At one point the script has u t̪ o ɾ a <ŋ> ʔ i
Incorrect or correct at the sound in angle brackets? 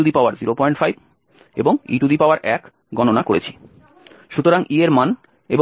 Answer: correct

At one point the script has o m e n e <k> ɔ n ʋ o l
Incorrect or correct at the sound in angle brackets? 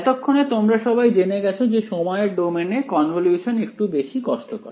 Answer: correct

